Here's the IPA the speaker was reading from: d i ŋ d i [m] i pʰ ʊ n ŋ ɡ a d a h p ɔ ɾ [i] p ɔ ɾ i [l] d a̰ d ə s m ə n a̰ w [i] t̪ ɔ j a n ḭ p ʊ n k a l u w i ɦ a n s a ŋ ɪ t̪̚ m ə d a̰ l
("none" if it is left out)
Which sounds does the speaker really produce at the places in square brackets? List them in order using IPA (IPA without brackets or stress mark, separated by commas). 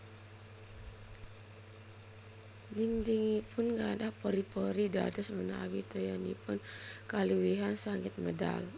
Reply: ŋ, i, none, i